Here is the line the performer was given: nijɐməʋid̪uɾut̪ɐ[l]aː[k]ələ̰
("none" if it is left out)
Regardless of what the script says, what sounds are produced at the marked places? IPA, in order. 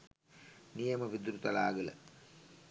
l, ɡ

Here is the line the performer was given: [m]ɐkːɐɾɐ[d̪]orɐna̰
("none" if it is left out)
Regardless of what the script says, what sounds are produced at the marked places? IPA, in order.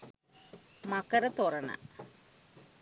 m, t̪

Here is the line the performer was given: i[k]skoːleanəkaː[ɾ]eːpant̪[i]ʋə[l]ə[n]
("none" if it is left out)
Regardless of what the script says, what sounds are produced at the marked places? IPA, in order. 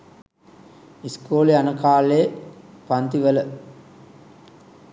none, l, i, l, none

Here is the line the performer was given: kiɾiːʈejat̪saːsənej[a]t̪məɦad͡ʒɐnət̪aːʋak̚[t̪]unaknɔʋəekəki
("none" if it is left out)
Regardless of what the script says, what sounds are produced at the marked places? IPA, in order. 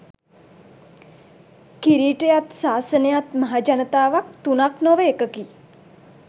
a, t̪

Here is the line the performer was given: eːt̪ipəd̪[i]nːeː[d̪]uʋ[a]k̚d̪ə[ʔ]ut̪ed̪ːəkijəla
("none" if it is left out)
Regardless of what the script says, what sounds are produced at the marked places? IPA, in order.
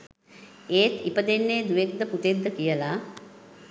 e, d̪, e, p

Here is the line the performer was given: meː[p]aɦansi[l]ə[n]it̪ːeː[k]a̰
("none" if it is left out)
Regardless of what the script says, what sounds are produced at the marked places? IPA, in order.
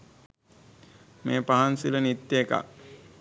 p, l, n, k

